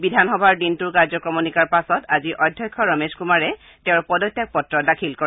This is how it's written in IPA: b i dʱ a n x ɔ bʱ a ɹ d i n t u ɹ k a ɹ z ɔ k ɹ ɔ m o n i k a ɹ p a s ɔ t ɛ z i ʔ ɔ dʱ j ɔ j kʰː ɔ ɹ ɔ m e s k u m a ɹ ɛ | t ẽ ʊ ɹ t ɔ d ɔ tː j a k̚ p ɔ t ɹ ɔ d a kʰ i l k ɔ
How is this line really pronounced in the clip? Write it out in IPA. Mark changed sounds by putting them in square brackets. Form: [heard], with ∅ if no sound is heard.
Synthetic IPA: b i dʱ a n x ɔ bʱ a ɹ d i n t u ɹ k a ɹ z ɔ k ɹ ɔ m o n i k a ɹ p a s ɔ t [a] z i ʔ ɔ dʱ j ɔ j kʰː ɔ ɹ ɔ m e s k u m a ɹ ɛ | t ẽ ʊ ɹ [p] ɔ d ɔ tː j a k̚ p ɔ t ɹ ɔ d a kʰ i l k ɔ